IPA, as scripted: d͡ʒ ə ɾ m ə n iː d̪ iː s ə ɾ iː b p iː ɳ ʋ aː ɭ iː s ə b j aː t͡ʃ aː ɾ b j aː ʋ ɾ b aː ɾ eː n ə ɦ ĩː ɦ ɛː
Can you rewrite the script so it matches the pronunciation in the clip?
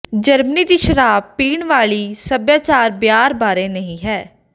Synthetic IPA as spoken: d͡ʒ ə ɾ m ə n iː d̪ iː ʃ ə ɾ aː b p iː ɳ ʋ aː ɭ iː s ə b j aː t͡ʃ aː ɾ b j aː ɾ b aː ɾ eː n ə ɦ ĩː ɦ ɛː